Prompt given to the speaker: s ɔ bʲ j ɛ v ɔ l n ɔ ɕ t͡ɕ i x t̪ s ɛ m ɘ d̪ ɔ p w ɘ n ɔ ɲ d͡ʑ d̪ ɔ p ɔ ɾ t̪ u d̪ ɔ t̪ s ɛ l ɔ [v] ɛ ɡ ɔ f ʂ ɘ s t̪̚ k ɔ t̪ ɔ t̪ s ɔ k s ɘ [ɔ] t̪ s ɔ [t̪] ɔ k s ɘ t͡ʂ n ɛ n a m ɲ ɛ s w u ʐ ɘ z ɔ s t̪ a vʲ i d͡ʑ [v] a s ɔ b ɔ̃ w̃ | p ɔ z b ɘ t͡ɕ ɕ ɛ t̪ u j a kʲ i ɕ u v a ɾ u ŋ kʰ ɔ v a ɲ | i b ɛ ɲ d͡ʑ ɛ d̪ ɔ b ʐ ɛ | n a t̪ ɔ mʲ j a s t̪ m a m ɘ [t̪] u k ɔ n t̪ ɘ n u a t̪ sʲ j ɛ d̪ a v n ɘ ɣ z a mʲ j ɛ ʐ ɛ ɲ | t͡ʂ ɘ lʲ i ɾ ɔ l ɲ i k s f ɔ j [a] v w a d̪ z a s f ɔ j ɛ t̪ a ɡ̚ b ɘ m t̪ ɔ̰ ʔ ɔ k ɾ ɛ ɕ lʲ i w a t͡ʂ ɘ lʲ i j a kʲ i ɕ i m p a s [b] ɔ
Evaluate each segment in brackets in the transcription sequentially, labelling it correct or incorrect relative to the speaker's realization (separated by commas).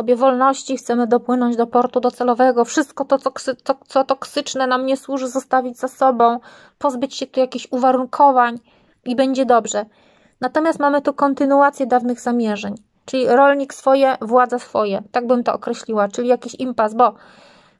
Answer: correct, correct, correct, incorrect, correct, incorrect, correct